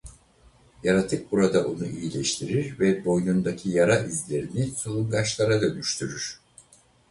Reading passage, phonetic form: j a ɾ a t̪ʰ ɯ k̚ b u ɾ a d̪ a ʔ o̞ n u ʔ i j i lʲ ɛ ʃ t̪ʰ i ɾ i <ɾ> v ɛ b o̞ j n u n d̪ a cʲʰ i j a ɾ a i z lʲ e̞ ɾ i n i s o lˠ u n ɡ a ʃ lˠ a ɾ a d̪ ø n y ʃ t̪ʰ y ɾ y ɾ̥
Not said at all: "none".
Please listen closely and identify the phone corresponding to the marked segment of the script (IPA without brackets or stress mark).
ɾ